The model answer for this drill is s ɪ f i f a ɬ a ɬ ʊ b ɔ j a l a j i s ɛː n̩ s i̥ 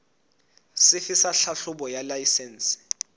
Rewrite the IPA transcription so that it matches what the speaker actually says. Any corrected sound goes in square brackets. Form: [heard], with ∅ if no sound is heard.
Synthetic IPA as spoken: s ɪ f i [s] a ɬ a ɬ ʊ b ɔ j a l a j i s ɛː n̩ s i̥